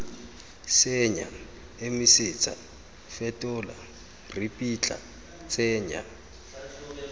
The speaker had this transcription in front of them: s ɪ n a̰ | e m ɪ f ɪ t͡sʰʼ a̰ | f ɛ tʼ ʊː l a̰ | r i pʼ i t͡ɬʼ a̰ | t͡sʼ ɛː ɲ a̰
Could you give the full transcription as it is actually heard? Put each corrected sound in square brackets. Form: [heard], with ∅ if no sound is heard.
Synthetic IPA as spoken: s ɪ [ɲ] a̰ | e m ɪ [s] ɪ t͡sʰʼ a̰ | f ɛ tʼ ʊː l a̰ | r i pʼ i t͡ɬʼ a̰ | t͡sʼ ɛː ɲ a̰